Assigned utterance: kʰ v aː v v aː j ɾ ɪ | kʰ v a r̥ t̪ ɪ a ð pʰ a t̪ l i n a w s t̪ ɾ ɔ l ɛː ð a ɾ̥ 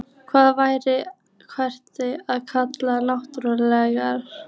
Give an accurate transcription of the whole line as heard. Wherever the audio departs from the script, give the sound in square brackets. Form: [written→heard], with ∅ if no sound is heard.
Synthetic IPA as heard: kʰ v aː [v→ð] v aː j ɾ ɪ | kʰ v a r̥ t̪ ɪ a ð [pʰ→kʰ] a t̪ l [i→a] n a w [s→h] t̪ ɾ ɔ l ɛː [ð→ɣ] a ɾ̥